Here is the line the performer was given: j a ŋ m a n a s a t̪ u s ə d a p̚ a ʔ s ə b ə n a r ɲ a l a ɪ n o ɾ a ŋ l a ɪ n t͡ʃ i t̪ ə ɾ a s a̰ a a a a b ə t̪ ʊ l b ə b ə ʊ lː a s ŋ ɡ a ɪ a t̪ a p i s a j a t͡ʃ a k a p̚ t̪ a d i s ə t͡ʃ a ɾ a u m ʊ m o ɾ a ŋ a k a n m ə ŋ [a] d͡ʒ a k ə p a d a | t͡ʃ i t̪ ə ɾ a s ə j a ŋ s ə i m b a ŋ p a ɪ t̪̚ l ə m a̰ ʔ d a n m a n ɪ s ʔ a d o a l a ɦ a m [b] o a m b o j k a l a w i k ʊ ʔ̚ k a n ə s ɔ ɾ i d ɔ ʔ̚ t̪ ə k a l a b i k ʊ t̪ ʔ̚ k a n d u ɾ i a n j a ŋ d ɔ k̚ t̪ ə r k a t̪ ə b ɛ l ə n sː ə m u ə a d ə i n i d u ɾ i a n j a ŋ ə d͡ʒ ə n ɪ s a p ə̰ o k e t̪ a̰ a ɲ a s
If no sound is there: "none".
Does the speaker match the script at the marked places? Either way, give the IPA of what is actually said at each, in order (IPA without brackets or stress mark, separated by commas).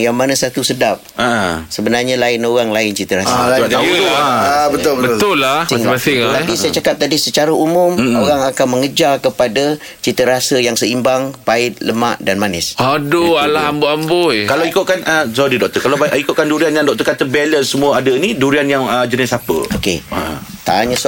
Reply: ə, b